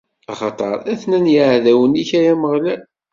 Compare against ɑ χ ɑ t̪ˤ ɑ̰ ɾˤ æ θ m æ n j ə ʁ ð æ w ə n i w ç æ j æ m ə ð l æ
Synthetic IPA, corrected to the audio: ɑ χ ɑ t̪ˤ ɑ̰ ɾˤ æ θ n æ n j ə ʕ ð æ w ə n i ç æ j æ m ə ʁ l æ